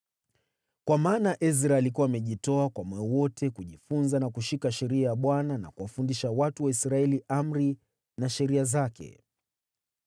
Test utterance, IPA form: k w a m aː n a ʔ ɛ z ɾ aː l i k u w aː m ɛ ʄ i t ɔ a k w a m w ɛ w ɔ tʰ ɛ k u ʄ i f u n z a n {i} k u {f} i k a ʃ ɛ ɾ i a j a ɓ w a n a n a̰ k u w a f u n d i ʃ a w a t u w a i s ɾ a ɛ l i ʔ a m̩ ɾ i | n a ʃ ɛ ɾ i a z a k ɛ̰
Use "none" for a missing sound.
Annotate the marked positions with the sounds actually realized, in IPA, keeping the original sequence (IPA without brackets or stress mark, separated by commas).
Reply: a, ʃ